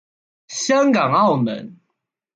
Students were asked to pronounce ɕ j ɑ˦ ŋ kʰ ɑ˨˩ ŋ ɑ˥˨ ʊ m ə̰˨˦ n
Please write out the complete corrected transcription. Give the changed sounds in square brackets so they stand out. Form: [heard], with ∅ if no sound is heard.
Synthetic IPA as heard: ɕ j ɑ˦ ŋ [k] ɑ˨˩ ŋ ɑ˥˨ ʊ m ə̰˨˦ n